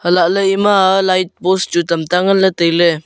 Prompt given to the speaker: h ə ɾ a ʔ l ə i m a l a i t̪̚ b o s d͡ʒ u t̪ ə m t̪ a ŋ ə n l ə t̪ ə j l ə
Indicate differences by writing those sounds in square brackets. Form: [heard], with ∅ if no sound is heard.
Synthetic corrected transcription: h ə [l] a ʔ l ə i m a l a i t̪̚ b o s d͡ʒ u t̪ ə m t̪ a ŋ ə n l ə t̪ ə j l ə